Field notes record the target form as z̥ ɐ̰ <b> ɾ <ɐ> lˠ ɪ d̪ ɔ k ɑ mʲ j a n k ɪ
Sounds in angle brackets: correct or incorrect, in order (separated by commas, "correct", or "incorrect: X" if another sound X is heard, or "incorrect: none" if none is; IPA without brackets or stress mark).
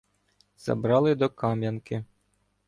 correct, incorrect: ɑ